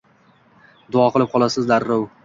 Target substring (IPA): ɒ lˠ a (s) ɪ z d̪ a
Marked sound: correct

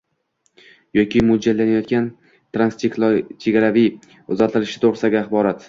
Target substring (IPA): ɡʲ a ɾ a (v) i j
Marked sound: correct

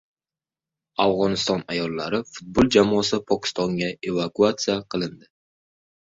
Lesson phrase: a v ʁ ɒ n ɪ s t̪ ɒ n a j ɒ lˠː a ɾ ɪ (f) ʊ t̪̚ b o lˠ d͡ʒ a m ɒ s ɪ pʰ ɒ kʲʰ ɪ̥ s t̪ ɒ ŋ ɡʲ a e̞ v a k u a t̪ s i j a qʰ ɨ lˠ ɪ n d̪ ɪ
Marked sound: correct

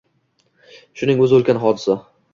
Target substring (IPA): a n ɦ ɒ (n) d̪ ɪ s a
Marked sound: incorrect: none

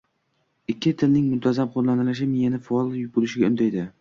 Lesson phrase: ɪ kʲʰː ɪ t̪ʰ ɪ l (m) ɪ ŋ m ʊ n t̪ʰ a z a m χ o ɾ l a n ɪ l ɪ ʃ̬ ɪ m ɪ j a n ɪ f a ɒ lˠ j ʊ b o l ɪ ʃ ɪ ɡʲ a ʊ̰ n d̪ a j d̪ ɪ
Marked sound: incorrect: n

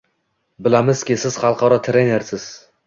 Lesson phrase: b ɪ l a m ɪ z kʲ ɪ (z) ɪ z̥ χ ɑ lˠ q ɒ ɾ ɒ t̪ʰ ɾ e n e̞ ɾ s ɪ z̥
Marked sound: incorrect: s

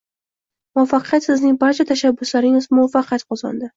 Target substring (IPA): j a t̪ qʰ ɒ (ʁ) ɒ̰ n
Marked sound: incorrect: z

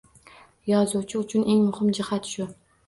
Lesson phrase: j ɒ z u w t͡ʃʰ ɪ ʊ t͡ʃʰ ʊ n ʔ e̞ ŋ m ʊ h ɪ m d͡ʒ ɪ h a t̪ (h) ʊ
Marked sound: incorrect: ʃ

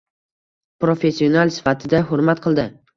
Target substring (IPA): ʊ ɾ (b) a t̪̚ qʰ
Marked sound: incorrect: m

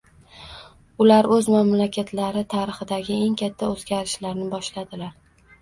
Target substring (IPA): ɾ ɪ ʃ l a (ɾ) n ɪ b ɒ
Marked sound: correct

